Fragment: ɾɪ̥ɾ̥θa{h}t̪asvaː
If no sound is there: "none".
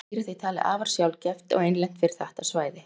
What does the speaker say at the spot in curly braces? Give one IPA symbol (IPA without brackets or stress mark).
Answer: h